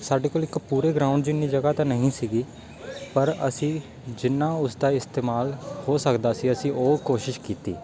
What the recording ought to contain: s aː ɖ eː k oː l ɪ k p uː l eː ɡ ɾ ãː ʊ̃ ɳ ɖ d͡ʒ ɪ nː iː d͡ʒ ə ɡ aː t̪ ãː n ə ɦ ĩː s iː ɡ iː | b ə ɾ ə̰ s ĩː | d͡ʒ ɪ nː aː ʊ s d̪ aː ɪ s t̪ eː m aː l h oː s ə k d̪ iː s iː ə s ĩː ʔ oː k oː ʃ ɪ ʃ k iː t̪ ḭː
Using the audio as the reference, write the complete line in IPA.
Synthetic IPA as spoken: s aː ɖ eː k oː l ɪ k p uː ɾ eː ɡ ɾ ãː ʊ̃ ɳ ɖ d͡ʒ ɪ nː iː d͡ʒ ə ɡ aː t̪ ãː n ə ɦ ĩː s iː ɡ iː | p ə ɾ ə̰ s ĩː | d͡ʒ ɪ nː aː ʊ s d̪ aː ɪ s t̪ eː m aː l h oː s ə k d̪ aː s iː ə s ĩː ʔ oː k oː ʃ ɪ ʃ k iː t̪ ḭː

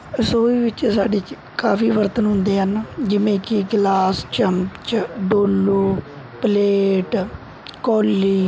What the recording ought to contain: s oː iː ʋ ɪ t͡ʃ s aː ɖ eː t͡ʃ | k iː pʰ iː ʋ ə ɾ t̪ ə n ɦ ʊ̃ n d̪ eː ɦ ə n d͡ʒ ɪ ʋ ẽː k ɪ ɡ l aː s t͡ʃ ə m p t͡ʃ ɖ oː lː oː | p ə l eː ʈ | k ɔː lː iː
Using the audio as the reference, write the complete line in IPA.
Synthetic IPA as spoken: s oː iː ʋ ɪ t͡ʃ s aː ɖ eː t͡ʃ | k aː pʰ iː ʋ ə ɾ t̪ ə n ɦ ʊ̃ n d̪ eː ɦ ə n d͡ʒ ɪ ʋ ẽː k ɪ ɡ l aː s t͡ʃ ə m p t͡ʃ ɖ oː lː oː | p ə l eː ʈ | k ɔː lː iː

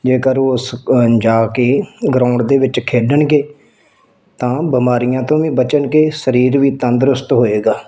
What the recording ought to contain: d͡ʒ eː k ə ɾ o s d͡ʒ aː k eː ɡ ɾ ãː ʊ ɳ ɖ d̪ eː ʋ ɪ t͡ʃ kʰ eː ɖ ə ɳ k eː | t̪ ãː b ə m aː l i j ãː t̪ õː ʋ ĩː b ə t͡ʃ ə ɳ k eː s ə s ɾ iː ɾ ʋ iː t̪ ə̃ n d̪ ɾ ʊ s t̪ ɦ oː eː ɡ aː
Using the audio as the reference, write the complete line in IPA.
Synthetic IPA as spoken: d͡ʒ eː k ə ɾ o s d͡ʒ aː k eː ɡ ɾ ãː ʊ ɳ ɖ d̪ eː ʋ ɪ t͡ʃ kʰ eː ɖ ə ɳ ɡ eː | t̪ ãː b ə m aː ɾ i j ãː t̪ õː ʋ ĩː b ə t͡ʃ ə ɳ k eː s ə ɾ iː ɾ ʋ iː t̪ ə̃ n d̪ ɾ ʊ s t̪ ɦ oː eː ɡ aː

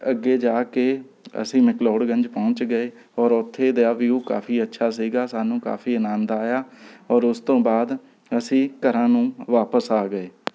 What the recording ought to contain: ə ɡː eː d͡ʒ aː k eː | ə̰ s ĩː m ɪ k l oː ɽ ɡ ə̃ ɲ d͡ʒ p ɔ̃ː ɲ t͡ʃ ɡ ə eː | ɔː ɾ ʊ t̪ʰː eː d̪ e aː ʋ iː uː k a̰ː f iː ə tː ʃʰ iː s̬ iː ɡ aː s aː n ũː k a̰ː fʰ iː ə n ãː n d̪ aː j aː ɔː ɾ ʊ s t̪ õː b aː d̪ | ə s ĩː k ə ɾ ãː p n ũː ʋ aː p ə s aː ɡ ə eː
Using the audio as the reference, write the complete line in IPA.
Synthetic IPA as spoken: ə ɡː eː d͡ʒ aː k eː | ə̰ s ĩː m ɪ k l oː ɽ ɡ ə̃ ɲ d͡ʒ p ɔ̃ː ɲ t͡ʃ ɡ ə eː | ɔː ɾ ʊ t̪ʰː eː d̪ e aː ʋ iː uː k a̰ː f iː ə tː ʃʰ aː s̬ iː ɡ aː s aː n ũː k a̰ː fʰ iː ə n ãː n d̪ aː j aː ɔː ɾ ʊ s t̪ õː b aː d̪ | ə s ĩː k ə ɾ ãː n ũː ʋ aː p ə s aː ɡ ə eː

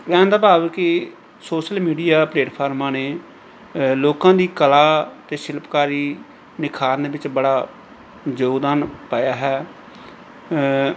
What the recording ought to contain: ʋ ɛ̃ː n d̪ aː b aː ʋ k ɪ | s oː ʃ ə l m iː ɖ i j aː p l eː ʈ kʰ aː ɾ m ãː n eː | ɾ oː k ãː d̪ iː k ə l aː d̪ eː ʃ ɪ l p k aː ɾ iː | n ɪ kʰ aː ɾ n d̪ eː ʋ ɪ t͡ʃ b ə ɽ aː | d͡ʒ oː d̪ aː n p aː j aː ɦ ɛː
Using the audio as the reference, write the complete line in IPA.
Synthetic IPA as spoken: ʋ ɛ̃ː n d̪ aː b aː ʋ k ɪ | s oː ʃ ə l m iː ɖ i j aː p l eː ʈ pʰ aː ɾ m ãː n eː | l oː k ãː d̪ iː k ə l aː t̪ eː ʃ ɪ l p k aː ɾ iː | n ɪ kʰ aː ɾ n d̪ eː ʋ ɪ t͡ʃ b ə ɽ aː | d͡ʒ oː d̪ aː n p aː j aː ɦ ɛː

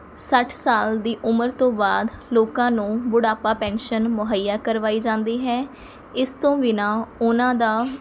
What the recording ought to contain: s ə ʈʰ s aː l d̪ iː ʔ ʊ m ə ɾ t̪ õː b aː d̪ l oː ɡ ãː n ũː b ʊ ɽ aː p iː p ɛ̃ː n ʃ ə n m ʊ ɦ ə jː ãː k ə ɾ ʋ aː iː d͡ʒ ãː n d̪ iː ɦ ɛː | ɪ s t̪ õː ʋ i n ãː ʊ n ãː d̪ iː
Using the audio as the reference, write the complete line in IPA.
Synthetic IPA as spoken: s ə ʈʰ s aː l d̪ iː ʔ ʊ m ə ɾ t̪ õː b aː d̪ l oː k ãː n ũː b ʊ ɽ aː p aː p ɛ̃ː n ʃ ə n m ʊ ɦ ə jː aː k ə ɾ ʋ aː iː d͡ʒ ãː n d̪ iː ɦ ɛː | ɪ s t̪ õː ʋ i n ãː ʊ n ãː d̪ aː

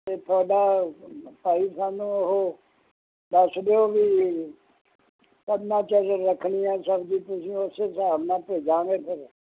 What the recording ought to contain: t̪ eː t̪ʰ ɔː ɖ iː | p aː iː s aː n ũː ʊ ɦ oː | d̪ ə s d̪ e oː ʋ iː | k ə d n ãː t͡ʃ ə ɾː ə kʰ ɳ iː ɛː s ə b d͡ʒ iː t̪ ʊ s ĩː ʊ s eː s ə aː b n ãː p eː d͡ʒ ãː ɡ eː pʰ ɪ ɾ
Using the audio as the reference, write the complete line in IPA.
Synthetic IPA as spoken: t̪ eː t̪ʰ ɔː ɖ aː | p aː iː s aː n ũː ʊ ɦ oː | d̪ ə s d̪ e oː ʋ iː | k ə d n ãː t͡ʃ ə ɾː ə kʰ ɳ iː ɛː s ə b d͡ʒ iː t̪ ʊ s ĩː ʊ s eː s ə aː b n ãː p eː d͡ʒ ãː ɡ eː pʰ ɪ ɾ

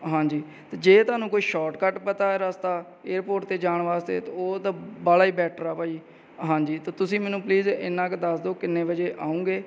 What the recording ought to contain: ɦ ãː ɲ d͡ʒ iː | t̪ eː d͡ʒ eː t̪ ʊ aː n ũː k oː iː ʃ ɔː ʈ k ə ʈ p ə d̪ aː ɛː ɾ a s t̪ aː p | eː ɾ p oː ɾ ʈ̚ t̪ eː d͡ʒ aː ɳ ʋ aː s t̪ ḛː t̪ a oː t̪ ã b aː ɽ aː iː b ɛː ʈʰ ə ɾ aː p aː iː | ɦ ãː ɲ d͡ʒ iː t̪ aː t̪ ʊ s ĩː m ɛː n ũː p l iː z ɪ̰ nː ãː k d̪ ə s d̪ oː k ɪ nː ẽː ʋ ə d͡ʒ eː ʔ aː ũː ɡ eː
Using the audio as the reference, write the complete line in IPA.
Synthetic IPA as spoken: ɦ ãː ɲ d͡ʒ iː | t̪ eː d͡ʒ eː t̪ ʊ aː n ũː k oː iː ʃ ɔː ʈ k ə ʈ p ə t̪ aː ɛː ɾ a s t̪ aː | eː ɾ p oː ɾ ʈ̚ t̪ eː d͡ʒ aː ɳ ʋ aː s t̪ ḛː t̪ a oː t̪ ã b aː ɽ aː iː b ɛː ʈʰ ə ɾ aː p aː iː | ɦ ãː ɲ d͡ʒ iː t̪ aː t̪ ʊ s ĩː m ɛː n ũː p l iː z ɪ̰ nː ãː k d̪ ə s d̪ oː k ɪ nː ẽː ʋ ə d͡ʒ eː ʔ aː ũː ɡ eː

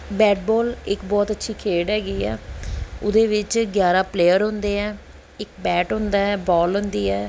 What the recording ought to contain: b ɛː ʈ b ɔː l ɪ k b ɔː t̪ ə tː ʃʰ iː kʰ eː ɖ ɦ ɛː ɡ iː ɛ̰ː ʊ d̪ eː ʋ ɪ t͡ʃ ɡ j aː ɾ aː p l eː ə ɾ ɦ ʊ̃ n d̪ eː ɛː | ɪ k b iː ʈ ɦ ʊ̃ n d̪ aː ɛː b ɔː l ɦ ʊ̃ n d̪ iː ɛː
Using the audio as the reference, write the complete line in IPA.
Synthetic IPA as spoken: b ɛː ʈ b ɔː l ɪ k b ɔː t̪ ə tː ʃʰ iː kʰ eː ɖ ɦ ɛː ɡ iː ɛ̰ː ʊ d̪ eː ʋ ɪ t͡ʃ ɡ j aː ɾ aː p l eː ə ɾ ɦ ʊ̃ n d̪ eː ɛː | ɪ k b ɛː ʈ ɦ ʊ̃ n d̪ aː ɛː b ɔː l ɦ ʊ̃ n d̪ iː ɛː

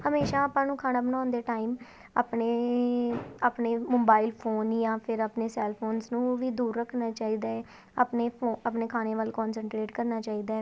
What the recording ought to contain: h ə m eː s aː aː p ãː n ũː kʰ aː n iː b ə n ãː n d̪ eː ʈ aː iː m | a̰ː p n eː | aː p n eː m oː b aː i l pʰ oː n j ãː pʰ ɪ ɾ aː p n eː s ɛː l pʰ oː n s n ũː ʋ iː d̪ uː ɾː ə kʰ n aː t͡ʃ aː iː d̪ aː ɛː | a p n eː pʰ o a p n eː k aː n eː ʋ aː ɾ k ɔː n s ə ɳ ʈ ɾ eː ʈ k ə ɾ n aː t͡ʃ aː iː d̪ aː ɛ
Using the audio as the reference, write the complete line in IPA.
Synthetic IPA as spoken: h ə m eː ʃ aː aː p ãː n ũː kʰ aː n aː b ə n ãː n d̪ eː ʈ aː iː m | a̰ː p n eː | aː p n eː m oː b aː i l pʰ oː n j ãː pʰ ɪ ɾ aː p n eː s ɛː l pʰ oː n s n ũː ʋ iː d̪ uː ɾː ə kʰ n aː t͡ʃ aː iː d̪ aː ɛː | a p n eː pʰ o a p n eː kʰ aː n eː ʋ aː l k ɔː n s ə ɳ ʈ ɾ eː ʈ k ə ɾ n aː t͡ʃ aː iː d̪ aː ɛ

